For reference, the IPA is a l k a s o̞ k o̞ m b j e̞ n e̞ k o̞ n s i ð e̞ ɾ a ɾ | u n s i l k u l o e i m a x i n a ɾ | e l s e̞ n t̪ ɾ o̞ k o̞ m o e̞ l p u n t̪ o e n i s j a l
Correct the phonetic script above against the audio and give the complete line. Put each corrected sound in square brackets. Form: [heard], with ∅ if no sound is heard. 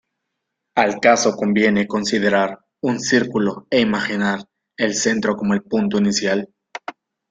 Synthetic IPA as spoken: a l k a s o̞ k o̞ m b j e̞ n e̞ k o̞ n s i ð e̞ ɾ a ɾ | u n s i [ɾ] k u l o e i m a x i n a ɾ | e l s e̞ n t̪ ɾ o̞ k o̞ m o e̞ l p u n t̪ o [i] n i s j a l